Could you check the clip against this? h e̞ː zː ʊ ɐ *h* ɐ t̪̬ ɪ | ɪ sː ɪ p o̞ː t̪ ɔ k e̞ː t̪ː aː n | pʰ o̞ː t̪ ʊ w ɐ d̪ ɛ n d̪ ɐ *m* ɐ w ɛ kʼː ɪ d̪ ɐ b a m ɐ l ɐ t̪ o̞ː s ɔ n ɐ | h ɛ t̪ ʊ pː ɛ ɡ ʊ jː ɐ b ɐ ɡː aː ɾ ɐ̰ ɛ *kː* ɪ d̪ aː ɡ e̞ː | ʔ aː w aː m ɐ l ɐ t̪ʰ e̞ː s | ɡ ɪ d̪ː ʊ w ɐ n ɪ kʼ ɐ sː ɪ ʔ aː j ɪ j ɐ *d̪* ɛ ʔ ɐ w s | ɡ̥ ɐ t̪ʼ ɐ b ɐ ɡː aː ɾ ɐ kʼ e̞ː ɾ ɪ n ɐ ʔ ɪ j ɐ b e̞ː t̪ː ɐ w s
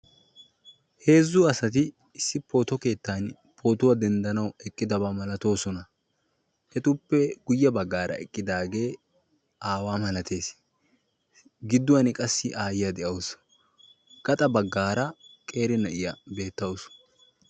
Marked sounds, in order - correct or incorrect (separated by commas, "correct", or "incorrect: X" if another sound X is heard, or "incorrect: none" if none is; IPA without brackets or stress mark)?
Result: incorrect: s, incorrect: n, incorrect: kʼː, correct